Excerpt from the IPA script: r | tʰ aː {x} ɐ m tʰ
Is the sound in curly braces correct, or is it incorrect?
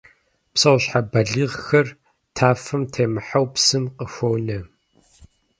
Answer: incorrect